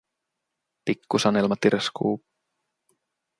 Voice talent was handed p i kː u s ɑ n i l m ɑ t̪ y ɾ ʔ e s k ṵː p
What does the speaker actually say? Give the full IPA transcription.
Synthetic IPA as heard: p i kː u s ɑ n e l m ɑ t̪ i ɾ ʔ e s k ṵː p